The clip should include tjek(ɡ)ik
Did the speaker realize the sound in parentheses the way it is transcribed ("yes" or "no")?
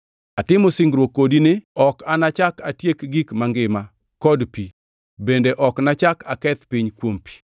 yes